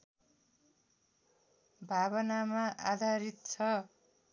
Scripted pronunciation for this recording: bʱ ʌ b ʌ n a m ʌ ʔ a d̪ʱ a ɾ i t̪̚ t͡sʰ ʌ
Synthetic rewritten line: bʱ a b ʌ n a m a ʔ a d̪ʱ a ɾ i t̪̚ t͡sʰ ʌ